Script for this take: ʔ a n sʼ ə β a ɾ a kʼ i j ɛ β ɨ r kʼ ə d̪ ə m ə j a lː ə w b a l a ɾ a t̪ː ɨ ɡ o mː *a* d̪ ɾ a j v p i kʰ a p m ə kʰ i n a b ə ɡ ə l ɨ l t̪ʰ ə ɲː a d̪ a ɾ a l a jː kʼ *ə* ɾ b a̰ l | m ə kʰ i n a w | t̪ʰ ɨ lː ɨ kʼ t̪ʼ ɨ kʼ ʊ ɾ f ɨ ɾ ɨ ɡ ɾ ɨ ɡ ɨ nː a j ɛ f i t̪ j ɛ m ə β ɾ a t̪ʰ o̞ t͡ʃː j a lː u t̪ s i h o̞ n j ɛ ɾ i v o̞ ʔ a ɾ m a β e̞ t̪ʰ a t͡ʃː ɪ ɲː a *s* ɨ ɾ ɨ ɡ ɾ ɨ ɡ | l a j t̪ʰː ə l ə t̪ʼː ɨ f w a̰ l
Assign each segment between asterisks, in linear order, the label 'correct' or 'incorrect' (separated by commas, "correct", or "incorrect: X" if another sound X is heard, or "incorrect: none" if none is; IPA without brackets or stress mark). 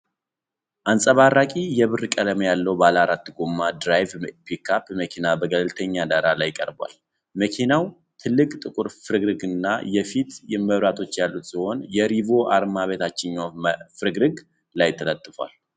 correct, correct, incorrect: f